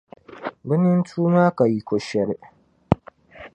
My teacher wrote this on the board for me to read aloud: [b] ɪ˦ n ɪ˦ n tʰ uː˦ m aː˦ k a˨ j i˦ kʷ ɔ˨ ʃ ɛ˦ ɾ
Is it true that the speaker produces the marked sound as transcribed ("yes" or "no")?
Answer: yes